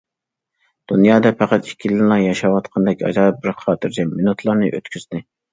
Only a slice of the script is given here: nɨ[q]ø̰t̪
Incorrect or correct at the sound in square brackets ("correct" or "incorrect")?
incorrect